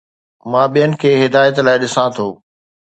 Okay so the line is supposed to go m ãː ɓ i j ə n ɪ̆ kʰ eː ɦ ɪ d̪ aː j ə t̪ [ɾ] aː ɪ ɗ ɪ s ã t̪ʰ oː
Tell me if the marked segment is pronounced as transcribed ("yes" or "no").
no